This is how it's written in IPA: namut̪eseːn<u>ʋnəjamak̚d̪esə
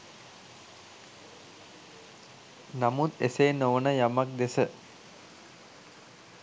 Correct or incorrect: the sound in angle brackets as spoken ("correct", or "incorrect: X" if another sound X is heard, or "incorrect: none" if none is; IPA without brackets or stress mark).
incorrect: o